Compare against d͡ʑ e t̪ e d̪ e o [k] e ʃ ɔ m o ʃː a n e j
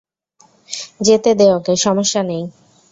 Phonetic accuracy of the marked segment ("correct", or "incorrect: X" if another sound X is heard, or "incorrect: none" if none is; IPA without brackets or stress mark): correct